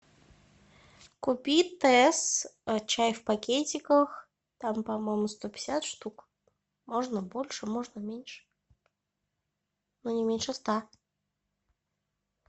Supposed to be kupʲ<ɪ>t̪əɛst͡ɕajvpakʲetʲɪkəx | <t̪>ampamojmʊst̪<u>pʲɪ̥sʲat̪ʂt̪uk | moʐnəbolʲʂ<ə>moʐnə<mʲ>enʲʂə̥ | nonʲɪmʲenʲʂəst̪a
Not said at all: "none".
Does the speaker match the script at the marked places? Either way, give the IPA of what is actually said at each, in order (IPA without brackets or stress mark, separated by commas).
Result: i, t̪, o, ə, mʲ